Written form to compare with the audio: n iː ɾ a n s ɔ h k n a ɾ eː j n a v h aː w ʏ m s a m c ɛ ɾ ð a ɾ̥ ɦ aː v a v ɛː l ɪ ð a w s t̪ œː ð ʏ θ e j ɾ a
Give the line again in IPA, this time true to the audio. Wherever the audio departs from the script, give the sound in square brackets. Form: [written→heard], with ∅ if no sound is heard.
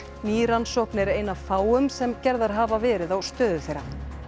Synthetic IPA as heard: n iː ɾ a n s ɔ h k n [a→ɛ] ɾ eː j n a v [h→f] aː w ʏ m s [a→ɛ] m c ɛ ɾ ð a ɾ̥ ɦ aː v a v ɛː [l→ɾ] ɪ ð a w s t̪ œː ð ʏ θ e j ɾ a